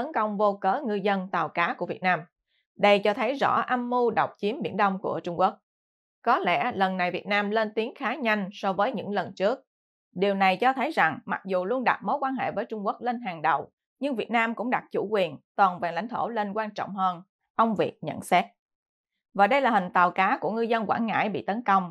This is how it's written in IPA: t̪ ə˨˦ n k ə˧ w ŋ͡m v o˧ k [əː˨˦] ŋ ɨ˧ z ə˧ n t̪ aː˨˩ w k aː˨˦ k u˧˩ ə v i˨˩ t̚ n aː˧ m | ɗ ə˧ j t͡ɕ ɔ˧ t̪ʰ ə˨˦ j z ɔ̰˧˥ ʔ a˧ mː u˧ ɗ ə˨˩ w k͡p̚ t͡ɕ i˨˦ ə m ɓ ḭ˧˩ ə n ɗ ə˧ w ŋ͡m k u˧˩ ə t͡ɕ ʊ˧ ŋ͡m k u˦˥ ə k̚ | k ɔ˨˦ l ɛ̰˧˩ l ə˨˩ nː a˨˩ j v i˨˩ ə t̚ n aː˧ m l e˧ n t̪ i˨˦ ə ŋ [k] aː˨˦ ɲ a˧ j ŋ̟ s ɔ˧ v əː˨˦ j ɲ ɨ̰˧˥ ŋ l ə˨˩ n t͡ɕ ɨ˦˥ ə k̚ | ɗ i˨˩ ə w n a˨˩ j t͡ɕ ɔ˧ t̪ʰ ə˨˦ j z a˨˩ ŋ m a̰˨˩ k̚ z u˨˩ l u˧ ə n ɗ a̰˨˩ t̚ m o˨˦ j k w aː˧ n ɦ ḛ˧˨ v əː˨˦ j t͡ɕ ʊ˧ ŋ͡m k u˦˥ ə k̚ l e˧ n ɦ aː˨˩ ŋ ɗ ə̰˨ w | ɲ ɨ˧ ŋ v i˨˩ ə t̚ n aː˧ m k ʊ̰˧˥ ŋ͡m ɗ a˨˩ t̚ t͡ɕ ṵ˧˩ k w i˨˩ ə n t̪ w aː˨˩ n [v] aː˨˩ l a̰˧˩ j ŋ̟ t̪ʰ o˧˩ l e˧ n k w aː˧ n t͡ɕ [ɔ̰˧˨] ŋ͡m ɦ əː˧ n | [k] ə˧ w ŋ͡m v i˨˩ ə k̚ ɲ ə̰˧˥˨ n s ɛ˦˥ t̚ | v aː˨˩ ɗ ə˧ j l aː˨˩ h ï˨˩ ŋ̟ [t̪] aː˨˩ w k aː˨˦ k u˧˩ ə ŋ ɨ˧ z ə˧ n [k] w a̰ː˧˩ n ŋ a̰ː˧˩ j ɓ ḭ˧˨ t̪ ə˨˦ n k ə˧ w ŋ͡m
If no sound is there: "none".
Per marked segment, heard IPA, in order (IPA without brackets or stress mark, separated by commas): əː˨˦, x, v, ɔ̰˧˨, ʔ, t̪, k